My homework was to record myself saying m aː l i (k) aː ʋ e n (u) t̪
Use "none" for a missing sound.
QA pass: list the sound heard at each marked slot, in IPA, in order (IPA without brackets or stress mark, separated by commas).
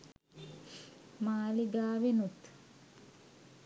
ɡ, u